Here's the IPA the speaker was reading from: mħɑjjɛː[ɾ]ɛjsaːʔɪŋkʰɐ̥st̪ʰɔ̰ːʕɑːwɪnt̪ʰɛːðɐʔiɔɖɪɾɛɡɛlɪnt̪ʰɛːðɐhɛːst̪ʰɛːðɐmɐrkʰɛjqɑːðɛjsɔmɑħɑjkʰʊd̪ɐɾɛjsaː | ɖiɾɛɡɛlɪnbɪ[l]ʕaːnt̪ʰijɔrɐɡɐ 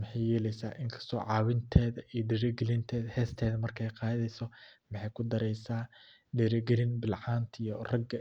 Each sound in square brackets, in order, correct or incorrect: incorrect, correct

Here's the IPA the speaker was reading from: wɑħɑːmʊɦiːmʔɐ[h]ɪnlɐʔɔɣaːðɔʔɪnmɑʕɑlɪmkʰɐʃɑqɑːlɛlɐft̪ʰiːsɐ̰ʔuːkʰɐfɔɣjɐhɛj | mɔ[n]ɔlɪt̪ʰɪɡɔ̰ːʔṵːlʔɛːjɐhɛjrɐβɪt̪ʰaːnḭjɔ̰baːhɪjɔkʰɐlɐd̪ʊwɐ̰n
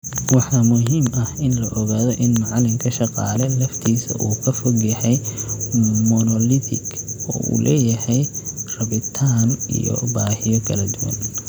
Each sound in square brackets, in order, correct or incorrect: correct, correct

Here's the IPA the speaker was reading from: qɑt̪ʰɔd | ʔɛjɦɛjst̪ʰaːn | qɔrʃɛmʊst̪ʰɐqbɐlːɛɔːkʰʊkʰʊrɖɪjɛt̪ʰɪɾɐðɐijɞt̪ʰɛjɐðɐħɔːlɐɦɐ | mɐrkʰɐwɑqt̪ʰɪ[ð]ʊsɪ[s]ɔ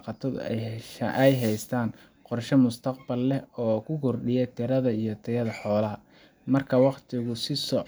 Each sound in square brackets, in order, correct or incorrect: incorrect, correct

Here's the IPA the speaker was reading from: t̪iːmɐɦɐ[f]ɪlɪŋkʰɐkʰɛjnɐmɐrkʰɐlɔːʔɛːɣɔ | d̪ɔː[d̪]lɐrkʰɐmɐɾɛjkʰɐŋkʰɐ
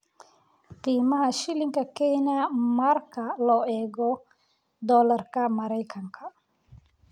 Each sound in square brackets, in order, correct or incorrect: incorrect, incorrect

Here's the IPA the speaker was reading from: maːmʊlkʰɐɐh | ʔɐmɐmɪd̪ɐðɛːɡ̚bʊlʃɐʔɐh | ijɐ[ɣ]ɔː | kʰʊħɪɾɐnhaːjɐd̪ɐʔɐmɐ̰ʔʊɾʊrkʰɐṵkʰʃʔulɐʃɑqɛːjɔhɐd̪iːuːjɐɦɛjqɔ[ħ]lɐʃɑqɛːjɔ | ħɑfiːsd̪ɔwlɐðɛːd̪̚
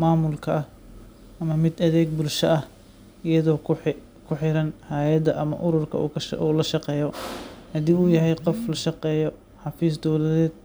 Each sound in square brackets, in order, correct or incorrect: incorrect, incorrect

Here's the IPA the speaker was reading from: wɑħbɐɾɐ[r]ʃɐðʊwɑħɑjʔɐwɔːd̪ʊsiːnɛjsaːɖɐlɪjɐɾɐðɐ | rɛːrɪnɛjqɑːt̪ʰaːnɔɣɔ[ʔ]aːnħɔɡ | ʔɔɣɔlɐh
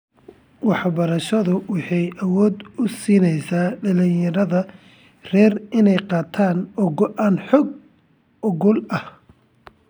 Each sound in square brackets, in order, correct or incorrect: incorrect, correct

